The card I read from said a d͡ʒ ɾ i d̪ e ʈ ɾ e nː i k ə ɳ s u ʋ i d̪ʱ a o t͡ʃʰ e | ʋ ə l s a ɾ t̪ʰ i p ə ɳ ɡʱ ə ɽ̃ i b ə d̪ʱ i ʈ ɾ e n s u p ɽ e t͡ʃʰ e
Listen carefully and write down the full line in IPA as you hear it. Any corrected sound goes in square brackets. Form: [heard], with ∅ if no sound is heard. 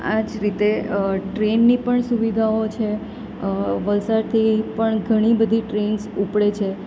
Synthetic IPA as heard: a d͡ʒ ɾ i [t̪] e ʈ ɾ e nː i [p] ə ɳ s u ʋ i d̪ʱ a o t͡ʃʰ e | ʋ ə l s a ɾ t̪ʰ i p ə ɳ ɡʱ ə ɽ̃ i b ə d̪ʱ i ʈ ɾ e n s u p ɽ e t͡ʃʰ e

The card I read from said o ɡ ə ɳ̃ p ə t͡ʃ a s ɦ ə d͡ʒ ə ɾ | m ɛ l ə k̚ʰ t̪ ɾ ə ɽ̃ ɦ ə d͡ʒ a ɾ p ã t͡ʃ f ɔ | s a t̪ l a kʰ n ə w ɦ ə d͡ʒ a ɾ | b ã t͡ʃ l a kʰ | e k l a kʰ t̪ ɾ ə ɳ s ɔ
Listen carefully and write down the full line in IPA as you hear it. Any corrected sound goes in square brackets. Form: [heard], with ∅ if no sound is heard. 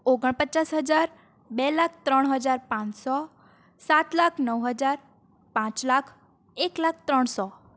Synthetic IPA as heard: o ɡ ə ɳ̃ p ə t͡ʃ a s ɦ ə d͡ʒ [a] ɾ | [b] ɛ l [a] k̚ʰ t̪ ɾ ə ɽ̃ ɦ ə d͡ʒ a ɾ p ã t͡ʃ [s] ɔ | s a t̪ l a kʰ n ə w ɦ ə d͡ʒ a ɾ | [p] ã t͡ʃ l a kʰ | e k l a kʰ t̪ ɾ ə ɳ s ɔ

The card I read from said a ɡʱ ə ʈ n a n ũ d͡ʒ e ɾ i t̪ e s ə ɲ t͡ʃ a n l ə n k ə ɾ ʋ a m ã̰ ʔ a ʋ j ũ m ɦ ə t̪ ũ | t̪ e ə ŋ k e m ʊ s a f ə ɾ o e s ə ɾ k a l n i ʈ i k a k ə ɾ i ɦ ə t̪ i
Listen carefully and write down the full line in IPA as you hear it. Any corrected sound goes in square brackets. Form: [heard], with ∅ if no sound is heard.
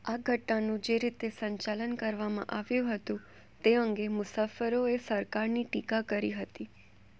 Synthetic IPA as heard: a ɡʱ ə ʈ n a n ũ d͡ʒ e ɾ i t̪ e s ə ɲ t͡ʃ a [∅] l ə n k ə ɾ ʋ a m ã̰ ʔ a ʋ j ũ [∅] ɦ ə t̪ ũ | t̪ e ə ŋ [ɡ] e m ʊ s a f ə ɾ o e s ə ɾ k a [ɾ] n i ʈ i k a k ə ɾ i ɦ ə t̪ i

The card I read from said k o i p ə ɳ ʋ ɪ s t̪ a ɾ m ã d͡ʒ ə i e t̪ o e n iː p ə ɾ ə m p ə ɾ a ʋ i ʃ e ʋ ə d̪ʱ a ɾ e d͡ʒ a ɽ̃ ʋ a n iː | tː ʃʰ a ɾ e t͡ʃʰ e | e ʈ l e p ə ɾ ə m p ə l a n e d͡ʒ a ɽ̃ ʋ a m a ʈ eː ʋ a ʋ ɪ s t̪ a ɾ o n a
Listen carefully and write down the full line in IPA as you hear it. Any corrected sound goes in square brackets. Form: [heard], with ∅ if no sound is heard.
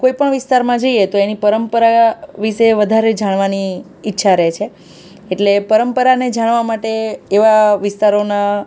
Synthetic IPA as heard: k o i p ə ɳ ʋ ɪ s t̪ a ɾ m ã d͡ʒ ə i e t̪ o e n [i] p ə ɾ ə m p ə ɾ a ʋ i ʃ e ʋ ə d̪ʱ a ɾ e d͡ʒ a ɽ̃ ʋ a n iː | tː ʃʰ a ɾ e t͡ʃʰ e | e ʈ l e p ə ɾ ə m p ə [ɾ] a n e d͡ʒ a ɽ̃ ʋ a m a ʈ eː ʋ a ʋ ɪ s t̪ a ɾ o n a

